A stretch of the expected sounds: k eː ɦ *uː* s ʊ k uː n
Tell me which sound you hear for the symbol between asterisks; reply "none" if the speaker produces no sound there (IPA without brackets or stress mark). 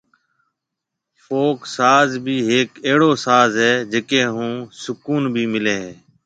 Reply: ũː